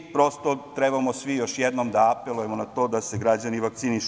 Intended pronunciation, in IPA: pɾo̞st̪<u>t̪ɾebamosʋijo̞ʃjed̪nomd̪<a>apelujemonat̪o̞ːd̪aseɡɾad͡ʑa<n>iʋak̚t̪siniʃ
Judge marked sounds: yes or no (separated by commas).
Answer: no, yes, yes